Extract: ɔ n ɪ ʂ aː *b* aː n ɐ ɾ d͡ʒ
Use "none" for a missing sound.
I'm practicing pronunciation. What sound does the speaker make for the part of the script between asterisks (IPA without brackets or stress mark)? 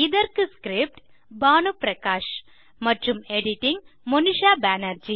b